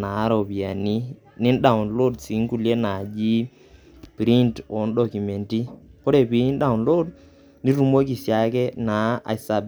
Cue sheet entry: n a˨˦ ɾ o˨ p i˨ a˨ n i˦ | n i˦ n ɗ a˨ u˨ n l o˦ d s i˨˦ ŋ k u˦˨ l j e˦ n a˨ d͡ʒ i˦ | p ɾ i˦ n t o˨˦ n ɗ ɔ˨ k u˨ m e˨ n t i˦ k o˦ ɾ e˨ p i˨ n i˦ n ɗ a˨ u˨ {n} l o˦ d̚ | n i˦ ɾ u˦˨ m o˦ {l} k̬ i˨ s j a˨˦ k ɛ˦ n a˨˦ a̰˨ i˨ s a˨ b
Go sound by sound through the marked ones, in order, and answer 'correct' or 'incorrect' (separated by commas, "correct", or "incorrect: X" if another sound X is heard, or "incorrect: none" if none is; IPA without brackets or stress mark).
correct, incorrect: none